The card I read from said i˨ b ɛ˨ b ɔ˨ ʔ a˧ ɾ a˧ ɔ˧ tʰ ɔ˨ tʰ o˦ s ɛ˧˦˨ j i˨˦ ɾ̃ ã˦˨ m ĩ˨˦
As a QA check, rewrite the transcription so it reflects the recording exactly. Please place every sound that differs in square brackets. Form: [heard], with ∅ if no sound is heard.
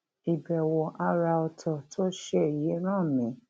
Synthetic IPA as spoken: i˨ b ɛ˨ [w] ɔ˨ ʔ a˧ ɾ a˧ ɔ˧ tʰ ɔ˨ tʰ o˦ [ʃ] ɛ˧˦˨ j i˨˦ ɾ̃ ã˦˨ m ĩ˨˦

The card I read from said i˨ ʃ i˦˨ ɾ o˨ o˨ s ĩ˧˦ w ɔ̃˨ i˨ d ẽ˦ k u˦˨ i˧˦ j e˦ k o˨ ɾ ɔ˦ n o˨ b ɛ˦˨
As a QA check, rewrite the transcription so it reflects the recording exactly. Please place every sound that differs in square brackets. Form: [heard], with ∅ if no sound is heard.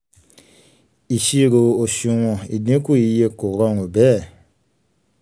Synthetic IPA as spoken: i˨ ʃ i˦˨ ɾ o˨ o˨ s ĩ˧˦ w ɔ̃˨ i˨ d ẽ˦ k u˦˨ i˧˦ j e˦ k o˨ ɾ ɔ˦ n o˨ b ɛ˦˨

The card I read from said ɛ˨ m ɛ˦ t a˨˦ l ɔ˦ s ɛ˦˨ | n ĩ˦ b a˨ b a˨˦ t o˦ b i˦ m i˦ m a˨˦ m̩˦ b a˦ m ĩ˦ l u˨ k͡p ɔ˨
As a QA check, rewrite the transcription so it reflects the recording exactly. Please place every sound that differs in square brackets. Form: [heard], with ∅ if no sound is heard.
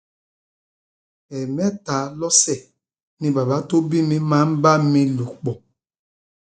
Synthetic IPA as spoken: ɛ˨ m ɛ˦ t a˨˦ l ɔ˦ s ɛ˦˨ | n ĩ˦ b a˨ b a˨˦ t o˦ b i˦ m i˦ m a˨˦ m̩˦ b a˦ m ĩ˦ l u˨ k͡p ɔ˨

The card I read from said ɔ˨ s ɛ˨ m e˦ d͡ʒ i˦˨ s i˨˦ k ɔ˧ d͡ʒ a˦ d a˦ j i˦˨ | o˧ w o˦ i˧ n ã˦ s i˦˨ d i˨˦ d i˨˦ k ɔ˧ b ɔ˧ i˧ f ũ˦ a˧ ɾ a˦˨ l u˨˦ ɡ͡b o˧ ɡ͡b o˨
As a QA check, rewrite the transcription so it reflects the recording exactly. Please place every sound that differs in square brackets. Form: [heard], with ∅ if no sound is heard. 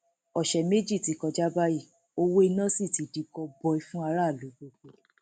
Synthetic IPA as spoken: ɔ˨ [ʃ] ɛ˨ m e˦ d͡ʒ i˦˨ [t] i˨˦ k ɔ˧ d͡ʒ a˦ [b] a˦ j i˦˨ | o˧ w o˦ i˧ n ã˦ s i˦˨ [t] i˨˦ d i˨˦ k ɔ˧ b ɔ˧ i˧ f ũ˦ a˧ ɾ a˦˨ l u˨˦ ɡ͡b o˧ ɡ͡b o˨

